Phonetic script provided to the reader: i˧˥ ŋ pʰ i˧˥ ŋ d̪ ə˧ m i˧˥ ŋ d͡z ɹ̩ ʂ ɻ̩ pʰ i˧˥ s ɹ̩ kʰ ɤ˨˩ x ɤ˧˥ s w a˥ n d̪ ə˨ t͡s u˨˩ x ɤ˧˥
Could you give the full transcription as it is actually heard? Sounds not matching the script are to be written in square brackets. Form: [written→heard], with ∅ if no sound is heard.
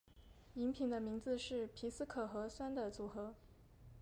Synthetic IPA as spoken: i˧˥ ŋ pʰ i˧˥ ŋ d̪ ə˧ m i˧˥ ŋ d͡z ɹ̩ ʂ ɻ̩ pʰ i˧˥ s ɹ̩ kʰ ɤ˨˩ x ɤ˧˥ s w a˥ n d̪ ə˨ t͡s u˨˩ x ɤ˧˥